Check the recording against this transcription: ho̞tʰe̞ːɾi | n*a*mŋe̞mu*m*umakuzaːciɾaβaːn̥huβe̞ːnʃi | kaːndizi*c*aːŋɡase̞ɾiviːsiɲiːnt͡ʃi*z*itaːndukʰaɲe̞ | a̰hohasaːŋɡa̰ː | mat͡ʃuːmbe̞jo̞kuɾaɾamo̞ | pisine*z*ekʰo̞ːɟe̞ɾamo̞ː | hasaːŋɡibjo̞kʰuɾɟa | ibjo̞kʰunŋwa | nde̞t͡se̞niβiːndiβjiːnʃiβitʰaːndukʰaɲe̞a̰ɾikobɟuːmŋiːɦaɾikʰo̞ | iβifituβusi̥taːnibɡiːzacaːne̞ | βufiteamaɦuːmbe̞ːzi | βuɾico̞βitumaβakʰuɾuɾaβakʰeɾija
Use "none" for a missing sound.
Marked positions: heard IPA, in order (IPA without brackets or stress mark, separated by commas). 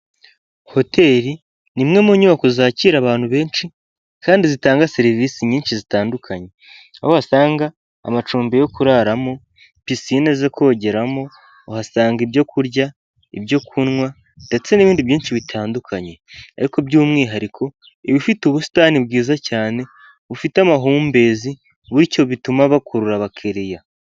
i, ɲ, t, z, z